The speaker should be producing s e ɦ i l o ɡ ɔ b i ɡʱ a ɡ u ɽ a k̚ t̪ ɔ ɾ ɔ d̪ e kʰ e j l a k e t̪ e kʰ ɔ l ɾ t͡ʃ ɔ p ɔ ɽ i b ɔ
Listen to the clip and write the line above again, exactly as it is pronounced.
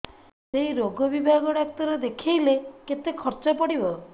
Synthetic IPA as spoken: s e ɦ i ɾ o ɡ ɔ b i bʱ a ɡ ɔ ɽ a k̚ t̪ ɔ ɾ ɔ d̪ e kʰ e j l e k e t̪ e kʰ ɔ ɾ t͡ʃ ɔ p ɔ ɽ i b ɔ

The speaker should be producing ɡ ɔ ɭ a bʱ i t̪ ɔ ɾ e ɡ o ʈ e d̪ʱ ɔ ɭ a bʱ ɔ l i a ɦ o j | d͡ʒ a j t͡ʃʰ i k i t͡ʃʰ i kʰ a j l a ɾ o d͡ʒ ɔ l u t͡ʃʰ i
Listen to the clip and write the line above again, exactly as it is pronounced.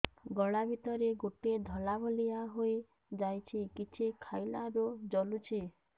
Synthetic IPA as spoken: ɡ ɔ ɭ a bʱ i t̪ ɔ ɾ e ɡ o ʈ e d̪ʱ ɔ l a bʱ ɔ l i a ɦ o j | d͡ʒ a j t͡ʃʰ i k i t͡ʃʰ i kʰ a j l a ɾ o d͡ʒ ɔ l u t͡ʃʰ i

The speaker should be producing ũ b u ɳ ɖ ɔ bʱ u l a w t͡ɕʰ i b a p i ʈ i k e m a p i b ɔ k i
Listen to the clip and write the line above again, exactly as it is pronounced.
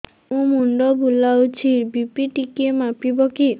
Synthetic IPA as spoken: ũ m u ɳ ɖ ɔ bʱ u l a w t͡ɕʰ i b i p i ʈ i k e m a p i b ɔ k i

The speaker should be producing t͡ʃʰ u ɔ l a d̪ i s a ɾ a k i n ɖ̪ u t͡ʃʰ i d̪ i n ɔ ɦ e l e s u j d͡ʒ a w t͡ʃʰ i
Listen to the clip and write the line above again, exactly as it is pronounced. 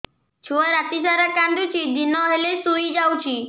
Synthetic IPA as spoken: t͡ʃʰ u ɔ ɾ a t̪ i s a ɾ a k a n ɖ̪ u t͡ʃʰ i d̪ i n ɔ ɦ e l e s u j d͡ʒ a w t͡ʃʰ i

